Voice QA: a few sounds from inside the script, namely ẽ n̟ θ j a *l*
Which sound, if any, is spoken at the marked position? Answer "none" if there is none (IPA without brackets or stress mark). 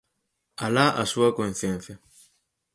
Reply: none